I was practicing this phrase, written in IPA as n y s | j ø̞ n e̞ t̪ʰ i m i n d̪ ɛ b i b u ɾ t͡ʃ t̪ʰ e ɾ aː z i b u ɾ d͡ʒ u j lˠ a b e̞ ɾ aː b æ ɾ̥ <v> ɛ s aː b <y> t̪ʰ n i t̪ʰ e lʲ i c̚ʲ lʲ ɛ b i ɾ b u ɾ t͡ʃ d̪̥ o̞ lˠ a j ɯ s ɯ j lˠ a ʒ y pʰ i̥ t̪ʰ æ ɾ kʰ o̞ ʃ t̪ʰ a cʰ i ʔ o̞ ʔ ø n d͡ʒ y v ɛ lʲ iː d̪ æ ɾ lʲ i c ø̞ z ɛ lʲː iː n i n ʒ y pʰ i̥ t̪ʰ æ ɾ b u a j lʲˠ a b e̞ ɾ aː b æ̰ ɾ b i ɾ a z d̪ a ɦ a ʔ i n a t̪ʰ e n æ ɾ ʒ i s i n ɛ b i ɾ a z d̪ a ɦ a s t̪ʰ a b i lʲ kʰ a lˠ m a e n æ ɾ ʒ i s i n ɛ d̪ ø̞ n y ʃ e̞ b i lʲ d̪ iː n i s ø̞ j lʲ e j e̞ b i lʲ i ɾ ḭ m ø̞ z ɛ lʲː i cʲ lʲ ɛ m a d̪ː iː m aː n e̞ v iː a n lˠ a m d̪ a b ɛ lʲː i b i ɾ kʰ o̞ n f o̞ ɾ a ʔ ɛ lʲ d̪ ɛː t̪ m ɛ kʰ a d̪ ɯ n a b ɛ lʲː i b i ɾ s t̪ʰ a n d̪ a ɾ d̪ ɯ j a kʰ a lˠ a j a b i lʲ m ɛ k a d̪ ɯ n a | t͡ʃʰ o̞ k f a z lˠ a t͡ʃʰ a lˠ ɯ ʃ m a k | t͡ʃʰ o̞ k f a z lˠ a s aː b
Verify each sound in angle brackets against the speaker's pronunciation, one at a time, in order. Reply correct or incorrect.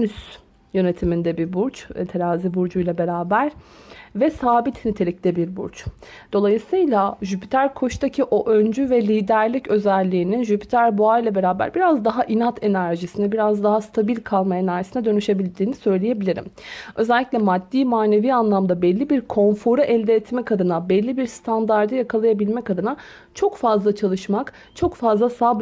correct, incorrect

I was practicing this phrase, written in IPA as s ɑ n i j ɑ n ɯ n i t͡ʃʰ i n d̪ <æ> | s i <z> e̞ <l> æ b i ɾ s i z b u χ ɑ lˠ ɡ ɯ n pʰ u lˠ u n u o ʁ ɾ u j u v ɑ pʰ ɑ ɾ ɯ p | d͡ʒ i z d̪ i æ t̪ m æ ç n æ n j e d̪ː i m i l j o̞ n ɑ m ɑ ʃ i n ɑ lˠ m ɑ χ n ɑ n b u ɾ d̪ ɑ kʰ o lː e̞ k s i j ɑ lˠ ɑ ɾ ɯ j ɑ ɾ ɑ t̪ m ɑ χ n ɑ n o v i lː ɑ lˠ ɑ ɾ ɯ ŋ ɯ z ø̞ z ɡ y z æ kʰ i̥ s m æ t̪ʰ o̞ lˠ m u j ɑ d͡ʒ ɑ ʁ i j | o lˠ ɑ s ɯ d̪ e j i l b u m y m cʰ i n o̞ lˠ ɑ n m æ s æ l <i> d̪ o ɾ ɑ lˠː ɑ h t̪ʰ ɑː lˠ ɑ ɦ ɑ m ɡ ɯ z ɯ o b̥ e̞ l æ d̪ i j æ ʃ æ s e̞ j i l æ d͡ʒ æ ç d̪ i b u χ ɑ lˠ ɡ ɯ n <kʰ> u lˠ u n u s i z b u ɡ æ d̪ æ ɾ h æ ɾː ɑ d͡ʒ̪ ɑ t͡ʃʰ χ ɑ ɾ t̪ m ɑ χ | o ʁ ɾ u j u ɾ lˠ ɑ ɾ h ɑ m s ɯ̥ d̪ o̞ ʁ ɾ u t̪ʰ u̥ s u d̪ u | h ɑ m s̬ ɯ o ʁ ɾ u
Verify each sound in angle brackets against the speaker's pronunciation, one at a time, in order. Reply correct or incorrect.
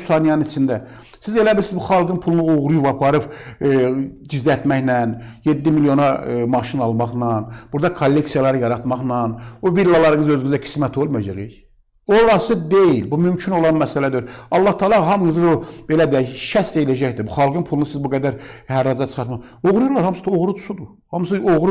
correct, correct, correct, incorrect, incorrect

